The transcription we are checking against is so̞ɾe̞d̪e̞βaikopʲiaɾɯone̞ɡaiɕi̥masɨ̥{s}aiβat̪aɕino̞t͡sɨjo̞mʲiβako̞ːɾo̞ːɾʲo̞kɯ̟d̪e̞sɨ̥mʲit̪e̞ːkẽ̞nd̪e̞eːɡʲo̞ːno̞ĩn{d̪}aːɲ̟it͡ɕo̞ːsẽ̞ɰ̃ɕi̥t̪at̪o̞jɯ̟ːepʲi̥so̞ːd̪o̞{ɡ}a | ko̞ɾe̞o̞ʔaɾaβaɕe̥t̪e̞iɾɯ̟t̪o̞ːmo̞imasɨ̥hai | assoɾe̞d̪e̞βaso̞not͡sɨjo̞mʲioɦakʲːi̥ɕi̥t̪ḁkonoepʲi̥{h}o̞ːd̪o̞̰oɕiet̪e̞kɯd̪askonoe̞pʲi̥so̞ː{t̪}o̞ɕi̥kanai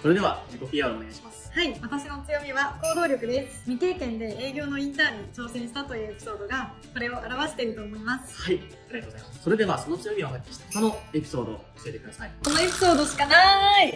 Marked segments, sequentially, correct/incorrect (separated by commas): incorrect, incorrect, correct, incorrect, incorrect